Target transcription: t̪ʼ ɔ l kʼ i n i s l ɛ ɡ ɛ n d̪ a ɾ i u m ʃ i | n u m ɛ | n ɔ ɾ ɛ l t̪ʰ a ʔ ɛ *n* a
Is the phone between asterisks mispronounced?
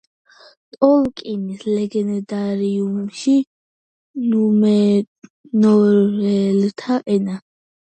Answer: no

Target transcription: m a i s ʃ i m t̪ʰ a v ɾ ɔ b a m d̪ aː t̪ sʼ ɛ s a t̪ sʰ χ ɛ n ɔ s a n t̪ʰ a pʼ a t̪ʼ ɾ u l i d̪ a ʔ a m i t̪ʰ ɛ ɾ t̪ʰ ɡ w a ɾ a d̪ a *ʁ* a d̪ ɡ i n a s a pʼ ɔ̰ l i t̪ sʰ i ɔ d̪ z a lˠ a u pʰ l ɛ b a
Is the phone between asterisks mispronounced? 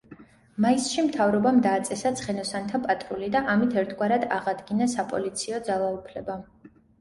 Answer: no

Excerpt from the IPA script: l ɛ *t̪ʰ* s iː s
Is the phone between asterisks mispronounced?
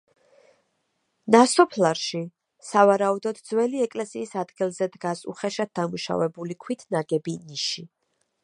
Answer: yes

